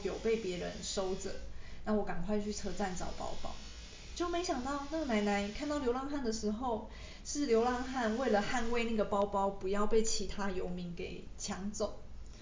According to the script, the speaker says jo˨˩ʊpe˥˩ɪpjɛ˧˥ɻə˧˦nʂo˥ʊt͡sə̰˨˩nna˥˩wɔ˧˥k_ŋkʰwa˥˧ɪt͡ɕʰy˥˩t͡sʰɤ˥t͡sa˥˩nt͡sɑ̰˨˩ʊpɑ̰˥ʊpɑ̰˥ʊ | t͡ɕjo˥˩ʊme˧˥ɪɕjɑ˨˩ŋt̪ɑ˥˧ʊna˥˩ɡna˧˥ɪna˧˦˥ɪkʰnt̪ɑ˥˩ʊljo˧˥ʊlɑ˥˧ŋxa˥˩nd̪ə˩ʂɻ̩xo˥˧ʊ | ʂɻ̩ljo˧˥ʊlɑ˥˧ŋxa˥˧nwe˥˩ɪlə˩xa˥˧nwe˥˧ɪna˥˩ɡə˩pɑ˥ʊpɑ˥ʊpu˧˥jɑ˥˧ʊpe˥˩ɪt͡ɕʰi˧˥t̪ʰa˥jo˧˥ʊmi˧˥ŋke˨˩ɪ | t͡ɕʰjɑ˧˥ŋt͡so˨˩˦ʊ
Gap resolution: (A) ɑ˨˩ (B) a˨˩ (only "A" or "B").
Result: B